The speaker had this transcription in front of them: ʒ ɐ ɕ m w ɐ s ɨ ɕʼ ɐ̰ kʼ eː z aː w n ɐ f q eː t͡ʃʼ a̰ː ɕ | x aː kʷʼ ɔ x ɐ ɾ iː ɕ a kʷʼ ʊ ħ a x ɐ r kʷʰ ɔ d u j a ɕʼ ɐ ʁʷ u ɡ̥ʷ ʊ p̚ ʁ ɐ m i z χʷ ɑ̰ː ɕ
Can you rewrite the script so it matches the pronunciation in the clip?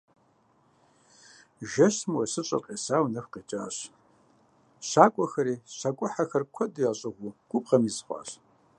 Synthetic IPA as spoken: ʒ ɐ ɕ m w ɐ s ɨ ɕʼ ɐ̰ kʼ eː s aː w n ɐ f q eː t͡ʃʼ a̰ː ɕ | ɕ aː kʷʼ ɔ x ɐ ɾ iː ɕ a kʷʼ ʊ ħ a x ɐ r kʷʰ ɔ d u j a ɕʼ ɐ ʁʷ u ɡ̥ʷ ʊ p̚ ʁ ɐ m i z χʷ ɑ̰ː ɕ

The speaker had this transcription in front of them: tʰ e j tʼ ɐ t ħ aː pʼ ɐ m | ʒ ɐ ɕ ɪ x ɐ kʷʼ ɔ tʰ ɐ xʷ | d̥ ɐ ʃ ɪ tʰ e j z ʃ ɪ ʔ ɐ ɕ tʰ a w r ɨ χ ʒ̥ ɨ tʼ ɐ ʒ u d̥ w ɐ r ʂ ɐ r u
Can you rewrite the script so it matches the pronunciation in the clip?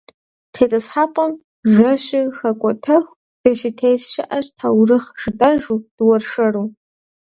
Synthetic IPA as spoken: tʰ e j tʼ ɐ s ħ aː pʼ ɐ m | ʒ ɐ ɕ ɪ x ɐ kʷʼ ɔ tʰ ɐ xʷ | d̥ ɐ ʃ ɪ tʰ e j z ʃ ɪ ʔ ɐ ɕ tʰ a w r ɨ χ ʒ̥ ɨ tʼ ɐ ʒ u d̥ w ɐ r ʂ ɐ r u

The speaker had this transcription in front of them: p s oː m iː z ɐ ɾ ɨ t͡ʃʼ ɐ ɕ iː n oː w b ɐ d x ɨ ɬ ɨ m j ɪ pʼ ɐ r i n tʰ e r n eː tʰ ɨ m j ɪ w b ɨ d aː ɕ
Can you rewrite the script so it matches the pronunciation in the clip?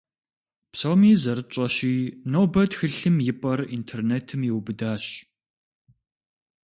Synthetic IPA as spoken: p s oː m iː z ɐ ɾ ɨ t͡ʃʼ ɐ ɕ iː n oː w b ɐ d x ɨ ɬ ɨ m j ɪ pʼ ɐ r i n tʰ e r n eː tʰ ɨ m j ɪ w b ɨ d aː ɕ

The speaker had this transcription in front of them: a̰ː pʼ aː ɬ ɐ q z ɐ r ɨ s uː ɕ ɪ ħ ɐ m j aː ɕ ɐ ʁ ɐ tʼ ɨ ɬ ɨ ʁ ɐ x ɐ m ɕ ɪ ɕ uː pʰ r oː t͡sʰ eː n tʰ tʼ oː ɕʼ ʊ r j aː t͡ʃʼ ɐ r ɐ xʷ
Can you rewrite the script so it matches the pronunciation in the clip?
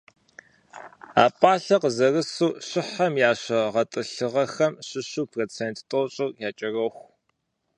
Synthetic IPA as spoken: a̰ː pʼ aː ɬ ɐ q z ɐ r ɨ s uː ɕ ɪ ħ ɐ m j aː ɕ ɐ ʁ ɐ tʼ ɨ ɬ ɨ ʁ ɐ x ɐ m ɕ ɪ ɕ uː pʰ r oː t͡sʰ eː n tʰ tʼ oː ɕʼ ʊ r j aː t͡ʃʼ ɐ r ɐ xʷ

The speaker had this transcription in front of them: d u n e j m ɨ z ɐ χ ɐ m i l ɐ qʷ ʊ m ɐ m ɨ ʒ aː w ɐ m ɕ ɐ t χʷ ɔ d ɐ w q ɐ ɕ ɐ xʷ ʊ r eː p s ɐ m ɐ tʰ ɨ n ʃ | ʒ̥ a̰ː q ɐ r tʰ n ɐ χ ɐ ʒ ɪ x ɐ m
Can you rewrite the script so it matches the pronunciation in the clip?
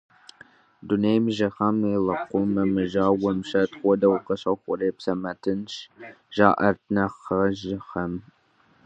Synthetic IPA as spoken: d u n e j m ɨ ʒ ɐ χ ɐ m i l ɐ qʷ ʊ m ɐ m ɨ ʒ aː w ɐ m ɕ ɐ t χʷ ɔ d ɐ w q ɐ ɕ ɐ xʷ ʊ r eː p s ɐ m ɐ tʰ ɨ n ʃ | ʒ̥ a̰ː ʔ ɐ r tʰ n ɐ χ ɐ ʒ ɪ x ɐ m

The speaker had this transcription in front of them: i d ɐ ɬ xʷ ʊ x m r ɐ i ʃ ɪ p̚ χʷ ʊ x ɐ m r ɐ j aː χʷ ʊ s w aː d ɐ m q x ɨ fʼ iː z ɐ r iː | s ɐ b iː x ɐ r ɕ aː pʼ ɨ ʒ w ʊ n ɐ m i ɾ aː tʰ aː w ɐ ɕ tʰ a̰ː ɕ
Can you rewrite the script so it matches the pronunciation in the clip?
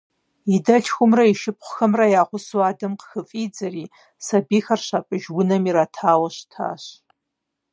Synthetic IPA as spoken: i d ɐ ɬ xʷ ʊ m r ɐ i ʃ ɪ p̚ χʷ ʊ x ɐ m r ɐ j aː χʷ ʊ s w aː d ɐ m q x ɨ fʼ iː d͡z ɐ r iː | s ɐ b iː x ɐ r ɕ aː pʼ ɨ ʒ w ʊ n ɐ m i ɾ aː tʰ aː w ɐ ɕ tʰ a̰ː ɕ

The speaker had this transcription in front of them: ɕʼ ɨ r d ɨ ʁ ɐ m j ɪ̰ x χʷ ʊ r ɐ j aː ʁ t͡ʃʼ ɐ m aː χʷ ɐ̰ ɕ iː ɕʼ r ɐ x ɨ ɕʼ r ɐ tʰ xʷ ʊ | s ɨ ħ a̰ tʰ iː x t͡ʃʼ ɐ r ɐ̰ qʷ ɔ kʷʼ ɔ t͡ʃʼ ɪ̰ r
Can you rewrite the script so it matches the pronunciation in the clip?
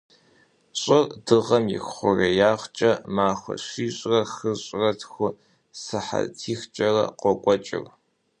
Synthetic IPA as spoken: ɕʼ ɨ r d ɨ ʁ ɐ m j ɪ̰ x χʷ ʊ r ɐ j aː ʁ t͡ʃʼ ɐ m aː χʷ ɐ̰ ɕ iː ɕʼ r ɐ x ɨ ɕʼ r ɐ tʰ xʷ ʊ | s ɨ ħ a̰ tʰ iː x t͡ʃʼ ɐ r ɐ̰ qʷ ɔ kʷʼ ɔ t͡ʃʼ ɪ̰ r

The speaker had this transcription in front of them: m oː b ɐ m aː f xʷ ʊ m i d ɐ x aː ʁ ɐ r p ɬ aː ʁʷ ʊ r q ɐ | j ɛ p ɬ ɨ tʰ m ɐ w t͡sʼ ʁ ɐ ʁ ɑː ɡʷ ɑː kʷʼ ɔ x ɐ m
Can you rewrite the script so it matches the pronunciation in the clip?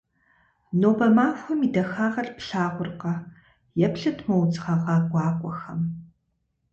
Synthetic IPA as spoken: n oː b ɐ m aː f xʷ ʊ m i d ɐ x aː ʁ ɐ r p ɬ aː ʁʷ ʊ r q ɐ | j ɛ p ɬ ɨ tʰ m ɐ w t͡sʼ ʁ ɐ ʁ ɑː ɡʷ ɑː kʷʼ ɔ x ɐ m

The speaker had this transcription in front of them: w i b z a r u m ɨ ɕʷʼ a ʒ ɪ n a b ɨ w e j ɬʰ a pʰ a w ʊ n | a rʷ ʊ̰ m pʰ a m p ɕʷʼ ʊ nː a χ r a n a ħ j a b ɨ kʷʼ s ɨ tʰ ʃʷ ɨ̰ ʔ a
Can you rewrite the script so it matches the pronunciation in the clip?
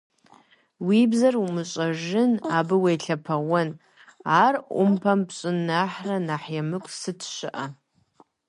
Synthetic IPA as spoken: w i b z a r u m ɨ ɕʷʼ a ʒ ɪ n a b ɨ w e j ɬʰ a pʰ a w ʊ n | a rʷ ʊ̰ m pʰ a m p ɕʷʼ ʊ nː a ħ r a n a ħ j a m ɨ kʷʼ s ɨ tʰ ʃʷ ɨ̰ ʔ a

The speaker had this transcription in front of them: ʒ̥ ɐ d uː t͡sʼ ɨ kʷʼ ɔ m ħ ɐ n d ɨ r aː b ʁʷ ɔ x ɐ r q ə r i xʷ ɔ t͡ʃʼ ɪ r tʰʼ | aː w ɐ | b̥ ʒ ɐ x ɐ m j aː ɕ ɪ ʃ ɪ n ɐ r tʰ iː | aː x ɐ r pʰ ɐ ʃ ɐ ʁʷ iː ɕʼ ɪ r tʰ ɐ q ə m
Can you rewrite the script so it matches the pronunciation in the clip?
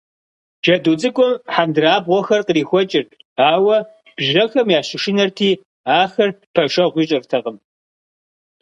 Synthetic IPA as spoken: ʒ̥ ɐ d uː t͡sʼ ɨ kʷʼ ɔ m ħ a n d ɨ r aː b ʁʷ ɔ x ɐ r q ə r iː xʷ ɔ t͡ʃʼ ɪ r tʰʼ | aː w ɐ | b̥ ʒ ɐ x ɐ m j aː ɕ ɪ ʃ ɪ n ɐ r tʰ iː | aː x ɐ r pʰ ɐ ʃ ɐ ʁʷ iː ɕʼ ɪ r tʰ ɐ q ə m

